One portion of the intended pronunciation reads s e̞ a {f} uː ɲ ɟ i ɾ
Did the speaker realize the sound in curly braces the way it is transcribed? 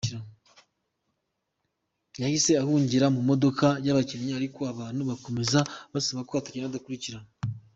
no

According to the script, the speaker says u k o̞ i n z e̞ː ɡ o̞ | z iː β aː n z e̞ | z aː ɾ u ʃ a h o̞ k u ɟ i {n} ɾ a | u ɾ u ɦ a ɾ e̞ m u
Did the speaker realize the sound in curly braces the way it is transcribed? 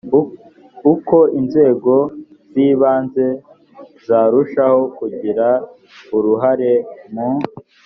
no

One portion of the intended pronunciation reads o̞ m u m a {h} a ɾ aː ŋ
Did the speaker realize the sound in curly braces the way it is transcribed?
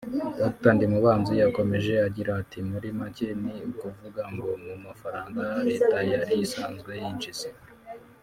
no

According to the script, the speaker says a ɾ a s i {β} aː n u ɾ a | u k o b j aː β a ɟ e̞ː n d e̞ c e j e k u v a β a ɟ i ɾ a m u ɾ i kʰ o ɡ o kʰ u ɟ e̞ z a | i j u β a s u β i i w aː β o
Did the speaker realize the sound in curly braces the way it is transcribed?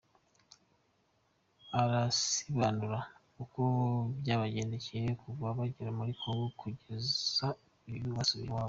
yes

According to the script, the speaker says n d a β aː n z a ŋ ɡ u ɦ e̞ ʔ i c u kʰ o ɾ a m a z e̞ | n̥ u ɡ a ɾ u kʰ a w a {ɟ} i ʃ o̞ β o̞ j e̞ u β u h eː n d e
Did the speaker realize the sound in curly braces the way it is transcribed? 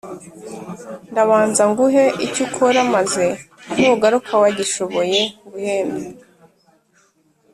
yes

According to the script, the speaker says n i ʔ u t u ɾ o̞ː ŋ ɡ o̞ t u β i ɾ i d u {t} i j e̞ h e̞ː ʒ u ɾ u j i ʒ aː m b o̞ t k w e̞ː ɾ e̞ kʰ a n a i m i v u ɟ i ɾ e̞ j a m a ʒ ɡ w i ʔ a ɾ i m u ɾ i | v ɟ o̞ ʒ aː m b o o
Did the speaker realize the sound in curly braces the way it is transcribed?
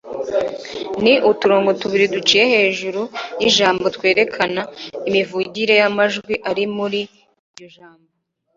no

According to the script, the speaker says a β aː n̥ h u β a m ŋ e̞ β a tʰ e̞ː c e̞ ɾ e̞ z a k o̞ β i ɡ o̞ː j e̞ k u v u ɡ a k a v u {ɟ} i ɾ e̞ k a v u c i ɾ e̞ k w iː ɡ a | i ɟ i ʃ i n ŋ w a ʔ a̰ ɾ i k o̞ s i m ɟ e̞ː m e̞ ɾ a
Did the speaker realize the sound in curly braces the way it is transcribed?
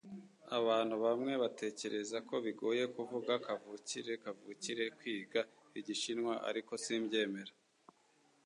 no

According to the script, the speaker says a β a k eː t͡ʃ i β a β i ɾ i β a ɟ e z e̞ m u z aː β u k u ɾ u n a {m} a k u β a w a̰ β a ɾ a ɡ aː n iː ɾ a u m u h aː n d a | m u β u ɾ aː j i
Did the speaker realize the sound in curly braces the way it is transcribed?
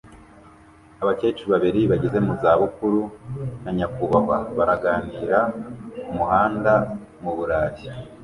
no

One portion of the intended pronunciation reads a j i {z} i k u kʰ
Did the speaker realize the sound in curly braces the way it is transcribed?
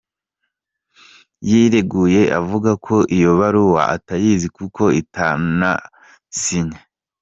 yes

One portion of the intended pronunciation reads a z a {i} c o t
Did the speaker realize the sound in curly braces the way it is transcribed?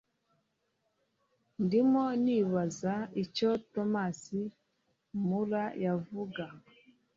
yes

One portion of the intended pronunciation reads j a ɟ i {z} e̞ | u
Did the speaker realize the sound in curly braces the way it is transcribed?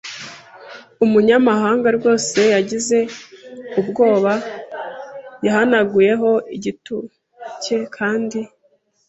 yes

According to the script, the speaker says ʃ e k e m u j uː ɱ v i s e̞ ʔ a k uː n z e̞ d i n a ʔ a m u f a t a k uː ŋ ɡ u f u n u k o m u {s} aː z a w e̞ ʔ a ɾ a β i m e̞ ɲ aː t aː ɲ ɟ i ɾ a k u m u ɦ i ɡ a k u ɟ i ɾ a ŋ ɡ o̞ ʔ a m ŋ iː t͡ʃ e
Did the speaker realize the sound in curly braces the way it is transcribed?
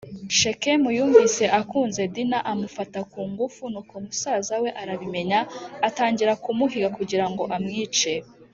yes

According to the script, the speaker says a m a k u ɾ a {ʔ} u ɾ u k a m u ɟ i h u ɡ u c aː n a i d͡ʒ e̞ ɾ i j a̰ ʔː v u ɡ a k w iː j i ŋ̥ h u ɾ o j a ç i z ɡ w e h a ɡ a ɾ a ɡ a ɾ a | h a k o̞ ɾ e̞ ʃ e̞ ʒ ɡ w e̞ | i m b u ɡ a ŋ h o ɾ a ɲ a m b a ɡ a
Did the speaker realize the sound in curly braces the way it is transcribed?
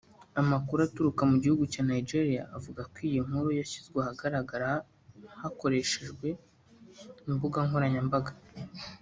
no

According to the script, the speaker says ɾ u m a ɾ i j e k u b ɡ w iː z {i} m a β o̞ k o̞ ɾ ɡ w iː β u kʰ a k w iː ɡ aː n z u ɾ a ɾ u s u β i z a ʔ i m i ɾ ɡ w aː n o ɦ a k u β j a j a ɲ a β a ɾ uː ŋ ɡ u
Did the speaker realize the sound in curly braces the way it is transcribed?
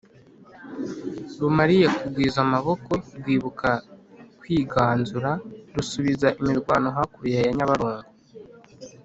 no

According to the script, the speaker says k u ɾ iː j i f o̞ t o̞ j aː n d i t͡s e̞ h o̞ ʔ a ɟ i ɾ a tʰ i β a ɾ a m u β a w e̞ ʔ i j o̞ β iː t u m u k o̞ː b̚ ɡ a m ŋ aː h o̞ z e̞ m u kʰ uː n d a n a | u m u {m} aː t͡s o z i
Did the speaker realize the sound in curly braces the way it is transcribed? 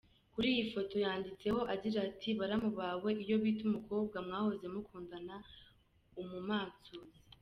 yes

